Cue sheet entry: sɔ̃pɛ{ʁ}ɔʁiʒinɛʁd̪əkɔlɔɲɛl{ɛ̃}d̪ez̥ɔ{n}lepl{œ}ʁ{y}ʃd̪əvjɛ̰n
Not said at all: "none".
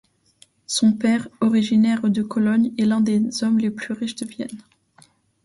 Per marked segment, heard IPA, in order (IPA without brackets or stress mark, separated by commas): ʁ, ɛ̃, m, y, i